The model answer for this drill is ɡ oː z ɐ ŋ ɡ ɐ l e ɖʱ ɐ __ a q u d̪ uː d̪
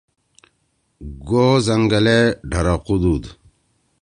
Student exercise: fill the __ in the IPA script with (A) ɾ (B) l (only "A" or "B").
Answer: A